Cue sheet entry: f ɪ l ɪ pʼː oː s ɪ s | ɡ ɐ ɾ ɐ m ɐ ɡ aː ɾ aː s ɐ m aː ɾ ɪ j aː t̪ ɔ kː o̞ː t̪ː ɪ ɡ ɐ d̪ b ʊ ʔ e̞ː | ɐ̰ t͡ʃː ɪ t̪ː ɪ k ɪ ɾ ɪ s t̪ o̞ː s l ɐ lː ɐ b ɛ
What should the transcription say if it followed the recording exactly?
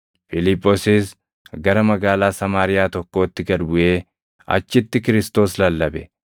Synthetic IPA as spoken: f ɪ l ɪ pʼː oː s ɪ s | ɡ ɐ ɾ ɐ m ɐ ɡ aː l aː s ɐ m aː ɾ ɪ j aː t̪ ɔ kː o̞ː t̪ː ɪ ɡ ɐ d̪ b ʊ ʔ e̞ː | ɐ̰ t͡ʃː ɪ t̪ː ɪ k ɪ ɾ ɪ s t̪ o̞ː s l ɐ lː ɐ b ɛ